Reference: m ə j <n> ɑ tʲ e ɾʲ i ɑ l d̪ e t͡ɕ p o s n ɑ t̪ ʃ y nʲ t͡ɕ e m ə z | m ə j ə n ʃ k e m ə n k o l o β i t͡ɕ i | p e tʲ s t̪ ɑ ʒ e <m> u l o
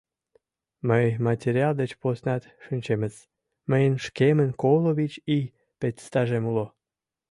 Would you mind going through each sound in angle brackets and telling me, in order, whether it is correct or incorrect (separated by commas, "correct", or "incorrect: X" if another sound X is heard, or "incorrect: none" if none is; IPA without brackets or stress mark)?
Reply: incorrect: m, correct